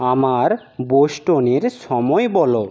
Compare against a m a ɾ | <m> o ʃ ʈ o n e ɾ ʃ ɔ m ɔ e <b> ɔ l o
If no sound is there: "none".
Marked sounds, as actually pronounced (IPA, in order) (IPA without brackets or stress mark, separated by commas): b, b